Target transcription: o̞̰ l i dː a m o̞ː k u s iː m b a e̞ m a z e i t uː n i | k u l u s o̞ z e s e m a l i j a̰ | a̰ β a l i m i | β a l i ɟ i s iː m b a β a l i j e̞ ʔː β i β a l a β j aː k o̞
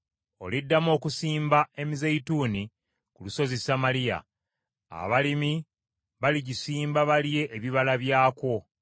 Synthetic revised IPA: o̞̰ l i dː a m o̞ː k u s iː m b a e̞ m i z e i t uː n i | k u l u s o̞ z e s a m a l i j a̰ | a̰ β a l i m i | β a l i ɟ i s iː m b a β a l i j e̞ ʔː β i β a l a β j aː k o̞